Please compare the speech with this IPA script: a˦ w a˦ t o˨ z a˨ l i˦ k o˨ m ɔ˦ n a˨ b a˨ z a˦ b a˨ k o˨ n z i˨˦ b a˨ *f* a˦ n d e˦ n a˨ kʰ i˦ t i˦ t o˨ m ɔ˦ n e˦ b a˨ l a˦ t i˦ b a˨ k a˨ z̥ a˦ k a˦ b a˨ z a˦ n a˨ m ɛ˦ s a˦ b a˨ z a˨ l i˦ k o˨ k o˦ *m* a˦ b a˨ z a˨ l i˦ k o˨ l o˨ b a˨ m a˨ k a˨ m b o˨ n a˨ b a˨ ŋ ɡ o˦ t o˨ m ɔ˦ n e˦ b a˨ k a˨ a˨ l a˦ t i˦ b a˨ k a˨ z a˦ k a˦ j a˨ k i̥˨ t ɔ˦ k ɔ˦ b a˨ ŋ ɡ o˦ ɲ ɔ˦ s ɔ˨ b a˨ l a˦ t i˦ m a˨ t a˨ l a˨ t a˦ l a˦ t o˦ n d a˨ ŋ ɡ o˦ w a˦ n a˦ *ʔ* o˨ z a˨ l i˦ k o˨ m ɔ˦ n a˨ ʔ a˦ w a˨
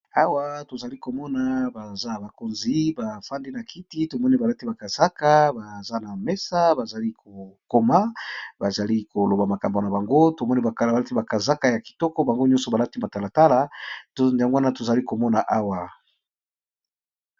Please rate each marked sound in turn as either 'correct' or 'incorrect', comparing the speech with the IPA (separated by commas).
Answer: correct, correct, incorrect